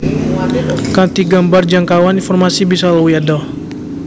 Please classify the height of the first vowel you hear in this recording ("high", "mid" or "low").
low